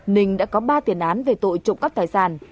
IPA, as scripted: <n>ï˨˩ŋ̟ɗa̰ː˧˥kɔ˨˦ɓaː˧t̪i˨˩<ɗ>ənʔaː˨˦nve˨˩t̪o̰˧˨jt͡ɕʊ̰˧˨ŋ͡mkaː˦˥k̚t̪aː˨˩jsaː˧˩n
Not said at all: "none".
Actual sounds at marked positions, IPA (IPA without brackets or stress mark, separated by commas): n, none